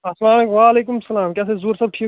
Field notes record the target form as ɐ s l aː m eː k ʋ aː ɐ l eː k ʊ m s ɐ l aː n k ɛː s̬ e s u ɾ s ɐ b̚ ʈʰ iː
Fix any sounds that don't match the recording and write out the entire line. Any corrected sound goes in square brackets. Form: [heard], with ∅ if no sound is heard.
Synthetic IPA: ɐ s l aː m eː k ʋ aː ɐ l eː k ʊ m s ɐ l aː [m] k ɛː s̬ e [z] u ɾ s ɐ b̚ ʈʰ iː